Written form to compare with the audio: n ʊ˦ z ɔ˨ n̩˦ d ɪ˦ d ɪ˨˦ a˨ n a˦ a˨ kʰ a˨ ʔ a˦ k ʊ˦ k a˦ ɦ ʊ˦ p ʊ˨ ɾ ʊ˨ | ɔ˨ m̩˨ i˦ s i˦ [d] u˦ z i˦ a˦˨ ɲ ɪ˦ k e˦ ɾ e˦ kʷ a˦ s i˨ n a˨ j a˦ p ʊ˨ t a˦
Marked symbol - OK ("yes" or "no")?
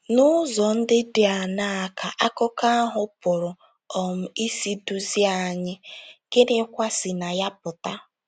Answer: yes